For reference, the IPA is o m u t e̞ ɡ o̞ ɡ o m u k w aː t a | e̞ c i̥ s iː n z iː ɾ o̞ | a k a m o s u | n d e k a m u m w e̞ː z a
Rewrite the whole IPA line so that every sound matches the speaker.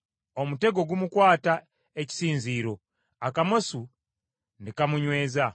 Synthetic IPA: o m u t e̞ ɡ o̞ ɡ u m u k w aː t a | e̞ c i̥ s iː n z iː ɾ o̞ | a k a m o s u | n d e k a m u ɲ w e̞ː z a